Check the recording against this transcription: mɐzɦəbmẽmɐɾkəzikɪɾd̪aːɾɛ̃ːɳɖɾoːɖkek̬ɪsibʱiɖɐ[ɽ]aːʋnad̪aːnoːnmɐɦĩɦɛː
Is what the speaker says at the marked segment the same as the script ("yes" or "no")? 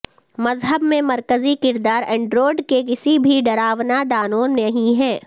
no